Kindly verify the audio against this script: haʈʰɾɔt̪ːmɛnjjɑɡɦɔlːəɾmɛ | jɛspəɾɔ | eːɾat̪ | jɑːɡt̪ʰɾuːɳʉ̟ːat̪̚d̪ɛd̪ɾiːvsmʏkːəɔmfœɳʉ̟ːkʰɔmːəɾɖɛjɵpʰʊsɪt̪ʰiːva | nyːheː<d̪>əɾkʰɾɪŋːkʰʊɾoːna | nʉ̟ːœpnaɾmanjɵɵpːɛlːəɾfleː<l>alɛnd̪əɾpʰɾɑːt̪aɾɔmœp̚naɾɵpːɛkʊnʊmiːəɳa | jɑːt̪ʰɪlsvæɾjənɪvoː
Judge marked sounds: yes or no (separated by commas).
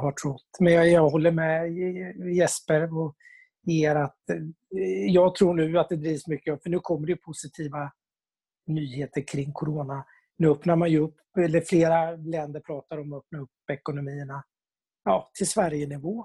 no, no